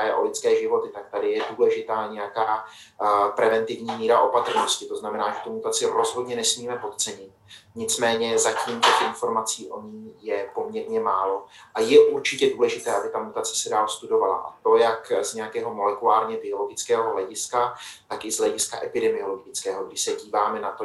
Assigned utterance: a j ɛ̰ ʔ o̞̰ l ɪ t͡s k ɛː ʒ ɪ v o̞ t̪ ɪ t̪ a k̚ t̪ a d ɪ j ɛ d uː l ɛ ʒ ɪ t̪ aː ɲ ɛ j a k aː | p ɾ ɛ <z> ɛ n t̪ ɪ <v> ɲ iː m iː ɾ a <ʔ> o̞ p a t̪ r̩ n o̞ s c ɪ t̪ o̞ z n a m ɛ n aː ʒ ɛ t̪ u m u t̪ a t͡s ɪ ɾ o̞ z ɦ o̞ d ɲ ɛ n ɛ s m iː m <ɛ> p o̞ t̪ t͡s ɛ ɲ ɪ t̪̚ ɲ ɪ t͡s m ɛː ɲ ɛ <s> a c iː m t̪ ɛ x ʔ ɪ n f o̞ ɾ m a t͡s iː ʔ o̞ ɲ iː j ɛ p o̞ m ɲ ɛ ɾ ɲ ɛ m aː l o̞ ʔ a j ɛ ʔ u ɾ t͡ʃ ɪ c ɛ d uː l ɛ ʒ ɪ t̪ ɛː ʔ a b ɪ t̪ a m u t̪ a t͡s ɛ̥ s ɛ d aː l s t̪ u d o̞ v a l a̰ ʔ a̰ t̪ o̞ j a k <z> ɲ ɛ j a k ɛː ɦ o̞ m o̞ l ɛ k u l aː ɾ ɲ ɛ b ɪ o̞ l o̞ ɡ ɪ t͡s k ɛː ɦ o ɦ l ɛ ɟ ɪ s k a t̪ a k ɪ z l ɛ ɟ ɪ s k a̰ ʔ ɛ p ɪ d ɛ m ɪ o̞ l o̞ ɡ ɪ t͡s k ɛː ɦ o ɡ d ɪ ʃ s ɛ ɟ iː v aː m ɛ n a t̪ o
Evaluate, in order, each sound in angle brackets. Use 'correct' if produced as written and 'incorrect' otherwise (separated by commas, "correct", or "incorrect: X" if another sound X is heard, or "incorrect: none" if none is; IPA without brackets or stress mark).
incorrect: v, correct, correct, correct, incorrect: z, correct